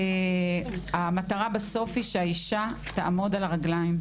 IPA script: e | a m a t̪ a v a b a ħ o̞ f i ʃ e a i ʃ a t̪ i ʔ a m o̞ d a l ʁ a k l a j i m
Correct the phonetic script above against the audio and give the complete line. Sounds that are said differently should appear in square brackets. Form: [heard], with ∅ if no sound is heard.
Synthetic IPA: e | a m a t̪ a [ʁ] a b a [s] o̞ f i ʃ e a i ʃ a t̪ [a] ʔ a m o̞ d a l ʁ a [ɡ] l a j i m